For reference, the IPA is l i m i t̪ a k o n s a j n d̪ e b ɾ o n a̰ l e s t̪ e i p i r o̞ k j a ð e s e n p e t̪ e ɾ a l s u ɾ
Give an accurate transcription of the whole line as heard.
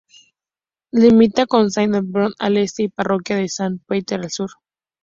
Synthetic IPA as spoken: l i m i t̪ a k o n s a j n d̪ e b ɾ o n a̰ l e s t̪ e i p a r o̞ k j a ð e s a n p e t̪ e ɾ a l s u ɾ